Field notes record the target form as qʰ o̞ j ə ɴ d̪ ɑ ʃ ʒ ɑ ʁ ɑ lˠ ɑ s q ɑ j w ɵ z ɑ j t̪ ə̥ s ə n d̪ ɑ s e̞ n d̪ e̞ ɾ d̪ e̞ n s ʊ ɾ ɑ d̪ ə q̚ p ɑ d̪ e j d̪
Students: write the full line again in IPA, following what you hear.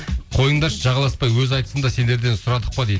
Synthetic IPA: qʰ o̞ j ə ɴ d̪ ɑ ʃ ʒ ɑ ʁ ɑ lˠ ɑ s p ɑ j w ɵ z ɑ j t̪ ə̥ s ə n d̪ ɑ s e̞ n d̪ e̞ ɾ d̪ e̞ n s ʊ ɾ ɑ d̪ ə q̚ p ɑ d̪ e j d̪